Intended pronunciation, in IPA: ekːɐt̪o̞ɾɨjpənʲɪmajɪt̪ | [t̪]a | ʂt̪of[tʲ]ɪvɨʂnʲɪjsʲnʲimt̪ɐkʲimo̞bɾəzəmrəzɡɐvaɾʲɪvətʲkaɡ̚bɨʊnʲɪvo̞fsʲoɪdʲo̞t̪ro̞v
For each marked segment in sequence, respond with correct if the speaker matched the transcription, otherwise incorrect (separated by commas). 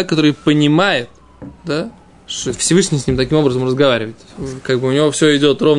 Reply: incorrect, incorrect